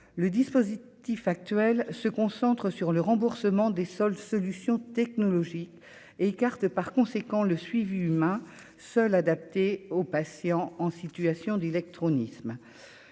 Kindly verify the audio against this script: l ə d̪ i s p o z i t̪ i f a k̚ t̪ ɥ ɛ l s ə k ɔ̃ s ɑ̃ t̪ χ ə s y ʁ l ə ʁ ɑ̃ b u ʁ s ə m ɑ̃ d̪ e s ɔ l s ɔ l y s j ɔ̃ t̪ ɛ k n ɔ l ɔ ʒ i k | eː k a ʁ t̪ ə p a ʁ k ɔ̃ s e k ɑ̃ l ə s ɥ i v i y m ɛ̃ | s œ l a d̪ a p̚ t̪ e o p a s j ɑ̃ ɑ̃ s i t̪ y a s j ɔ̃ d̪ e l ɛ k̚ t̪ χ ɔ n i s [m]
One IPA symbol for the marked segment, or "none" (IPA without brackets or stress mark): m